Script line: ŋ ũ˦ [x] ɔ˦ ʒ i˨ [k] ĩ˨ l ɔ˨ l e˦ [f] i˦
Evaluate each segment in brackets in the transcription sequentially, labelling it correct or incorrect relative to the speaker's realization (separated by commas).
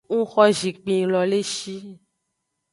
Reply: correct, incorrect, incorrect